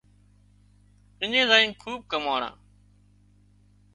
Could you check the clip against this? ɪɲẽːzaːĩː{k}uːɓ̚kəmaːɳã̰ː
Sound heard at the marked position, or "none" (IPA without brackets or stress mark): kʰ